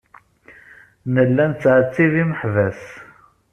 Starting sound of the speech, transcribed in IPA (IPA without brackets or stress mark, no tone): n